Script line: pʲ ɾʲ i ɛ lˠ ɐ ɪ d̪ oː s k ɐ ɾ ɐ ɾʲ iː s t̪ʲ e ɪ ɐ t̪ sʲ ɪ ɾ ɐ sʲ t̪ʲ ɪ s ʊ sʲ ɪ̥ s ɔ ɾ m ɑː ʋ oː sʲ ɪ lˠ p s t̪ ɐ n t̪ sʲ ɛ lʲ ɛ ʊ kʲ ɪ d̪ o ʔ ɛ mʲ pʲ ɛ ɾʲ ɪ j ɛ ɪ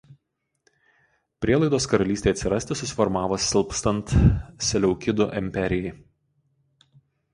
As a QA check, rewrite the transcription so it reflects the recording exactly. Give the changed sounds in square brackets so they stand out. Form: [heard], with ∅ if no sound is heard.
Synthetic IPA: pʲ ɾʲ i ɛ lˠ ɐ ɪ d̪ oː s k ɐ ɾ ɐ [lʲ] iː s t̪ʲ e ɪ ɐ t̪ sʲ ɪ ɾ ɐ sʲ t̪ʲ ɪ s ʊ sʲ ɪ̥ [f] ɔ ɾ m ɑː ʋ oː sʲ ɪ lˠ p s t̪ ɐ n t̪ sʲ ɛ lʲ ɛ ʊ kʲ ɪ d̪ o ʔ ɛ mʲ pʲ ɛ ɾʲ ɪ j ɛ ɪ

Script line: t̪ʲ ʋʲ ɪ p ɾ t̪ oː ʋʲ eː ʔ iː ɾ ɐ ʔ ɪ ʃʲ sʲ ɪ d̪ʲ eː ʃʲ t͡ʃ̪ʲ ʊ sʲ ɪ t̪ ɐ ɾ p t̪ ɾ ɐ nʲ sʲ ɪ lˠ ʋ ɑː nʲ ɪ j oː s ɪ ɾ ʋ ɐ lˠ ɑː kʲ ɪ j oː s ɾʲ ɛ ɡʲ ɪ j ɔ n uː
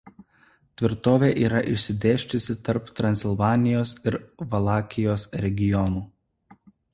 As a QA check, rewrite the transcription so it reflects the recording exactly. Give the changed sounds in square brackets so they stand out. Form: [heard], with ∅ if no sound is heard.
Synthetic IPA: t̪ʲ ʋʲ ɪ [∅] ɾ t̪ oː ʋʲ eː ʔ iː ɾ ɐ ʔ ɪ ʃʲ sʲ ɪ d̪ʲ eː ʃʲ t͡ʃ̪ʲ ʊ sʲ ɪ t̪ ɐ ɾ p t̪ ɾ ɐ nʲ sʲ ɪ lˠ ʋ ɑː nʲ ɪ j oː s ɪ ɾ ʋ ɐ lˠ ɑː kʲ ɪ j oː s ɾʲ ɛ ɡʲ ɪ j ɔ n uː

